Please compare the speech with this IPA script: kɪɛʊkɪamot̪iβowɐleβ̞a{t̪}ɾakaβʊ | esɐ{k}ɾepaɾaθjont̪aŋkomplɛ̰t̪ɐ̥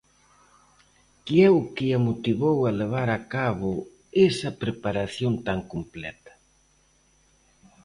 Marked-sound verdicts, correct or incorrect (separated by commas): incorrect, incorrect